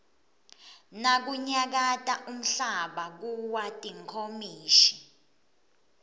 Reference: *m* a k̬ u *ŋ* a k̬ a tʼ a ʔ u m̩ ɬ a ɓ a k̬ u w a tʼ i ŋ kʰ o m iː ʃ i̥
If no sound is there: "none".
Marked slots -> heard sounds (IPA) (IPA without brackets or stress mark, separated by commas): n, ɲ